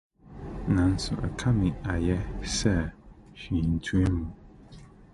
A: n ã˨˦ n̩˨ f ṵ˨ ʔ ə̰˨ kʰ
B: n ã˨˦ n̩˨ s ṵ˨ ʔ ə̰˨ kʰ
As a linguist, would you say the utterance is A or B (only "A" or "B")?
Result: B